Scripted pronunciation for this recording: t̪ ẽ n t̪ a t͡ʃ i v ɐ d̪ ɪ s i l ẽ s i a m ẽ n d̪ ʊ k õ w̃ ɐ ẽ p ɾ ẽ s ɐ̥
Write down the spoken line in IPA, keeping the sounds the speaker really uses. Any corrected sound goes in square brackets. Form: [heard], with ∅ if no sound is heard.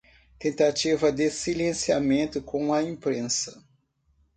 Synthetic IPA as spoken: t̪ ẽ n t̪ a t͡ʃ i v ɐ d̪ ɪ s i l ẽ s i a m ẽ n [t̪] ʊ k õ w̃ ɐ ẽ p ɾ ẽ s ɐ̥